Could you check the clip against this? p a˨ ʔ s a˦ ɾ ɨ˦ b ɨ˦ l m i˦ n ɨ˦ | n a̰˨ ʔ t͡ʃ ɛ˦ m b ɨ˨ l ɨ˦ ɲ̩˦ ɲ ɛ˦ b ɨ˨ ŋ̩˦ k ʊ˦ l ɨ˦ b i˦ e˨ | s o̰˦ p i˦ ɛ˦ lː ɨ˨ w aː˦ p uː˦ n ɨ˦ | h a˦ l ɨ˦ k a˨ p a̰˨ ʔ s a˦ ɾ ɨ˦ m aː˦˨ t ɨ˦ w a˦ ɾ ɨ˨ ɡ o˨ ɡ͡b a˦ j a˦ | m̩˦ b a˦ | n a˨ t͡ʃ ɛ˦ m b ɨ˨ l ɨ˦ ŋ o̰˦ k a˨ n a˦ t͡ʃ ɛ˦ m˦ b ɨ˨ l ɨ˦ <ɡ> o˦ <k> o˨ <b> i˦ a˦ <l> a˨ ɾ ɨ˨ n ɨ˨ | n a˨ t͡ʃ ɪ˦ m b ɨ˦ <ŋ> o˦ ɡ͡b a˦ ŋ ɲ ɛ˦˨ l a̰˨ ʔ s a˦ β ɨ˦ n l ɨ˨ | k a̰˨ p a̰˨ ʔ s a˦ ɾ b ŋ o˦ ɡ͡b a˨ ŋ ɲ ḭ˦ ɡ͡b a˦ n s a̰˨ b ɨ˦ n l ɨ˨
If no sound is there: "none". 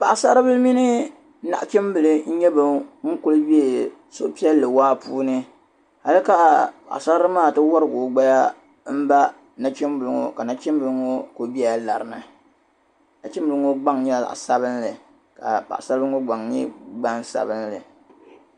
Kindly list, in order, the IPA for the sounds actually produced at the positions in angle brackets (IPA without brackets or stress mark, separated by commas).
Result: ŋ, k, b, l, ŋ